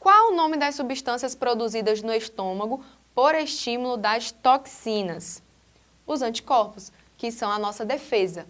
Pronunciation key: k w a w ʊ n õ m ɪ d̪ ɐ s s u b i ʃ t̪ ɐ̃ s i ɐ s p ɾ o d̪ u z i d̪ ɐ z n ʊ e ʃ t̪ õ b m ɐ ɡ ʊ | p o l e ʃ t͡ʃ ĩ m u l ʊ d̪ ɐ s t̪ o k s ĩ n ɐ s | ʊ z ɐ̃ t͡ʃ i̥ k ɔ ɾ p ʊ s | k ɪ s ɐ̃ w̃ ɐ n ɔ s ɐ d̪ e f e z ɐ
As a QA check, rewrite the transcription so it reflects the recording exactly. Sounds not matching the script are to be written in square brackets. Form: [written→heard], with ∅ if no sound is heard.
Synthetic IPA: k w a w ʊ n õ m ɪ d̪ ɐ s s u b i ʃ t̪ ɐ̃ s i ɐ s p ɾ o d̪ u z i d̪ ɐ z n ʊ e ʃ t̪ õ [b→∅] m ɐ ɡ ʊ | p o [l→ɾ] e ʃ t͡ʃ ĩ m u l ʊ d̪ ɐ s t̪ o k s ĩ n ɐ s | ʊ z ɐ̃ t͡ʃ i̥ k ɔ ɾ p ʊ s | k ɪ s ɐ̃ w̃ ɐ n ɔ s ɐ d̪ e f e z ɐ